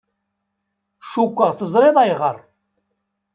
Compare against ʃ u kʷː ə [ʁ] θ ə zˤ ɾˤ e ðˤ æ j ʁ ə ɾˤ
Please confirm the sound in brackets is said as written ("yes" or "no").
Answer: yes